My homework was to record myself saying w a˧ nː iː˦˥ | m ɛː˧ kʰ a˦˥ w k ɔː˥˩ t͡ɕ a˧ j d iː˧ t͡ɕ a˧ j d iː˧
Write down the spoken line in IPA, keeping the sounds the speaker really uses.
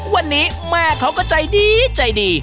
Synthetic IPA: w a˧ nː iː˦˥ | m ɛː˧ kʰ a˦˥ w k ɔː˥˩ t͡ɕ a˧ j d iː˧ t͡ɕ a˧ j d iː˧